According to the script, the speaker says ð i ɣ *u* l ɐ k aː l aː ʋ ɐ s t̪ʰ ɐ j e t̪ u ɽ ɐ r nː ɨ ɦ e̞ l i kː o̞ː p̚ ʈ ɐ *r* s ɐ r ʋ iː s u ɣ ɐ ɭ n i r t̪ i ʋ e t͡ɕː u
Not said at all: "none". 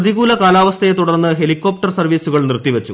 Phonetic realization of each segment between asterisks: uː, r

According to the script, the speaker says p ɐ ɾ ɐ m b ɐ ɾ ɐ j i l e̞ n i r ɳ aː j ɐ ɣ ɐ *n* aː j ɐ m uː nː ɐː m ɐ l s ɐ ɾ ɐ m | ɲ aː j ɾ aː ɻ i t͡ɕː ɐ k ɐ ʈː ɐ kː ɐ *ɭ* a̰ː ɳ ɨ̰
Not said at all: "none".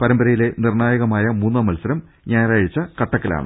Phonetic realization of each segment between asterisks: m, l

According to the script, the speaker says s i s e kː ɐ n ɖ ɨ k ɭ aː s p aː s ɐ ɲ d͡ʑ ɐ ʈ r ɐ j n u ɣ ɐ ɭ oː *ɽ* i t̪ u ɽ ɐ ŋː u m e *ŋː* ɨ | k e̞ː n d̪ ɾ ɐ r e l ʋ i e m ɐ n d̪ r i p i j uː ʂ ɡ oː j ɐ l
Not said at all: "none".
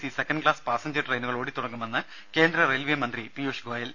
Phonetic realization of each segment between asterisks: ɽ, nː

